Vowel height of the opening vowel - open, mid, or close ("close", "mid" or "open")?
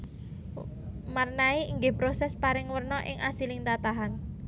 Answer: open